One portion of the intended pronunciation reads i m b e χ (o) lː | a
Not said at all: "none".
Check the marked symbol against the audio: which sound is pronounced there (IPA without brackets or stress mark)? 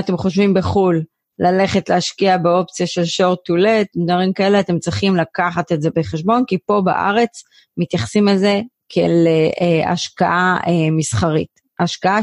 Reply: u